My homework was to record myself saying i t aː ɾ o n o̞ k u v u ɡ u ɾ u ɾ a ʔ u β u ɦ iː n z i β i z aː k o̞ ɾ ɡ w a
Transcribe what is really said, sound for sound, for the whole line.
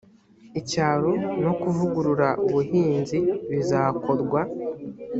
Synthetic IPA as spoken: i c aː ɾ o n o̞ k u v u ɡ u ɾ u ɾ a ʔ u β u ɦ iː n z i β i z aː k o̞ ɾ ɡ w a